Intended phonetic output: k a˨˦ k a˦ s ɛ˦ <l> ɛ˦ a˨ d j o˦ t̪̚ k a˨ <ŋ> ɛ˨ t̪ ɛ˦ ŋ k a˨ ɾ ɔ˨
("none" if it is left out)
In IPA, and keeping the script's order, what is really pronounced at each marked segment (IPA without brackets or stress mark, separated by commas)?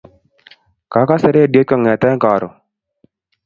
ɾ, ŋ